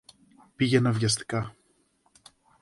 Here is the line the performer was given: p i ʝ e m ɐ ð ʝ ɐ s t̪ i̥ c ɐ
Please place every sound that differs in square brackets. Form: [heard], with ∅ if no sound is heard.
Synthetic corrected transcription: p i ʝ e [n] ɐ [v] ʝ ɐ s t̪ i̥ [k] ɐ